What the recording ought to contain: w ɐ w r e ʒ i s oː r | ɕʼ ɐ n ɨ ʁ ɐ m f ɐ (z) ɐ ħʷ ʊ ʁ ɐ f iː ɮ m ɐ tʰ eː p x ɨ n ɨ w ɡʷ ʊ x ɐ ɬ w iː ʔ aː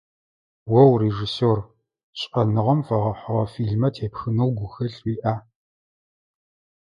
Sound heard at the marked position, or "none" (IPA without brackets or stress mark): ʁ